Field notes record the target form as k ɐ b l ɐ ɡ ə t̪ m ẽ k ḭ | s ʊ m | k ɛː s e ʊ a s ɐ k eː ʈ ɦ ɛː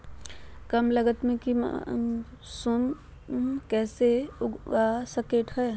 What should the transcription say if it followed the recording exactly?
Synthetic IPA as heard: k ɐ m l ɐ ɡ ə t̪ m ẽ k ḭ | s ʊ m | k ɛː s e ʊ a s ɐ k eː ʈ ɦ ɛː

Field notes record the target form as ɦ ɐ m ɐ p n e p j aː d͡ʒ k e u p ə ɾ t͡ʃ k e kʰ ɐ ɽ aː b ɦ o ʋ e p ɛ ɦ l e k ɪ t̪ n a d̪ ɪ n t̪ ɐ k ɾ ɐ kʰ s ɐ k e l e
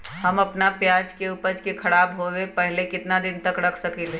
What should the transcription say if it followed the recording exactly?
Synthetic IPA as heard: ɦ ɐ m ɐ p n a p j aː d͡ʒ k e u p ə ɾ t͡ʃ k e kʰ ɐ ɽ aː b ɦ o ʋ e p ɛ ɦ l e k ɪ t̪ n a d̪ ɪ n t̪ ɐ k ɾ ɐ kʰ s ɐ k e l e

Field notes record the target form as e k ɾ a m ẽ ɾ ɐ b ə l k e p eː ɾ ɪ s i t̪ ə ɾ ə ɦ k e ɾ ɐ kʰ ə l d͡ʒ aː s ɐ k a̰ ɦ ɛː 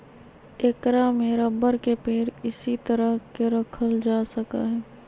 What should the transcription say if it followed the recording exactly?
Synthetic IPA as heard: e k ɾ a m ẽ ɾ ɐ b ə ɾ k e p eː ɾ ɪ s i t̪ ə ɾ ə ɦ k e ɾ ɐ kʰ ə l d͡ʒ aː s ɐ k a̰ ɦ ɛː

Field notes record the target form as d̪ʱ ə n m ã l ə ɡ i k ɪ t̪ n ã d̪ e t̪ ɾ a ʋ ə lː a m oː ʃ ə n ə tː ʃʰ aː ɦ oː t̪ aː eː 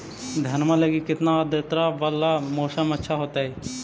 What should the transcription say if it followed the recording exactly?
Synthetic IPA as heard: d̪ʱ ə n m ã l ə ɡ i k ɪ t̪ n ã d̪ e t̪ ɾ a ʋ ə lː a m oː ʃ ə m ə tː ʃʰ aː ɦ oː t̪ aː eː

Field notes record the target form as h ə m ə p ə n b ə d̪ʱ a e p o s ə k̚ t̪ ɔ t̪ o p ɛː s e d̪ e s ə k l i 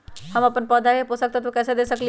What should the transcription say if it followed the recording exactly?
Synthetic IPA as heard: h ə m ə p ə n p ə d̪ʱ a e p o s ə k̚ t̪ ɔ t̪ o k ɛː s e d̪ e s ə k l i

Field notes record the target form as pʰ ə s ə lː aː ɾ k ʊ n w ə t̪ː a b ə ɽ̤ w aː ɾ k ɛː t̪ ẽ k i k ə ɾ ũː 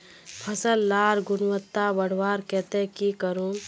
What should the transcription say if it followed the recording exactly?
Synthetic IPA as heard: pʰ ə s ə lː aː ɾ ɡ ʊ n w ə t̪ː a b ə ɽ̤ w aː ɾ k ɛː t̪ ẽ k i k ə ɾ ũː

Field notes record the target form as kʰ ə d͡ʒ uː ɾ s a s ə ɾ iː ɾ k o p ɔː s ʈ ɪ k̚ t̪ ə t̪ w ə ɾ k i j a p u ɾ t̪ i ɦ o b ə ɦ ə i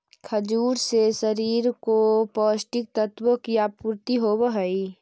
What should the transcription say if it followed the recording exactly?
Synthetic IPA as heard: kʰ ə d͡ʒ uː ɾ s e s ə ɾ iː ɾ k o p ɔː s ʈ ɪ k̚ t̪ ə t̪ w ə k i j a p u ɾ t̪ i ɦ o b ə ɦ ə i

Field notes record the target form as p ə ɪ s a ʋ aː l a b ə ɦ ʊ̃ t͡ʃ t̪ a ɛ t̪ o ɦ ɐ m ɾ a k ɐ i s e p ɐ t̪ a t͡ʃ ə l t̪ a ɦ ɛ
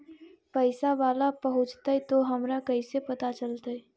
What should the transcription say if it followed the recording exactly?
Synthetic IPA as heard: p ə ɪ s a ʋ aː l a p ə ɦ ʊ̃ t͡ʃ t̪ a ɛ t̪ o ɦ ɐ m ɾ a k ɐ i s e p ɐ t̪ a t͡ʃ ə l t̪ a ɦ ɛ

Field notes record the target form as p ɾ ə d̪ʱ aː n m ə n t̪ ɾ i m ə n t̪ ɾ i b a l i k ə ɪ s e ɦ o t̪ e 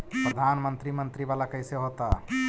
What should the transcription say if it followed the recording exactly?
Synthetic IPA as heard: p ɾ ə d̪ʱ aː n m ə n t̪ ɾ i m ə n t̪ ɾ i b a l a k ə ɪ s e ɦ o t̪ a

